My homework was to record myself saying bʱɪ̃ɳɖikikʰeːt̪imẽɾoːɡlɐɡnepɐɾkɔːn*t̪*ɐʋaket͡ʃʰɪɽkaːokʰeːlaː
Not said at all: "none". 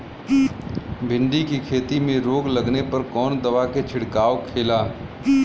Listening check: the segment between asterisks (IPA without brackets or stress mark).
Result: d̪